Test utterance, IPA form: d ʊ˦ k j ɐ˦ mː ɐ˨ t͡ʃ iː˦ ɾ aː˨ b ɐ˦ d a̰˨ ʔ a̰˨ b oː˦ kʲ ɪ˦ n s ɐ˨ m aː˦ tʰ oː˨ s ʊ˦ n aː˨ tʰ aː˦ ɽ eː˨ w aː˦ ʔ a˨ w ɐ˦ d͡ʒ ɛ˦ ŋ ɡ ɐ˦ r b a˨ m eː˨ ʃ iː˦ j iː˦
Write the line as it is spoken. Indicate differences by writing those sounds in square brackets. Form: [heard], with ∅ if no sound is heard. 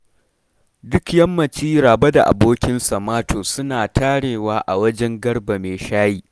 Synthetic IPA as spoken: d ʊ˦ k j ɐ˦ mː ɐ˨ t͡ʃ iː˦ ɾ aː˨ b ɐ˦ d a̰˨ ʔ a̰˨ b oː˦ kʲ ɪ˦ n s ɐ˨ m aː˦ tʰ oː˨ s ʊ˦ n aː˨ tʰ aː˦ ɽ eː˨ w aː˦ ʔ a˨ w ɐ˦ d͡ʒ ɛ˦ ŋ ɡ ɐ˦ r b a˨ m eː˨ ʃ [aː˦] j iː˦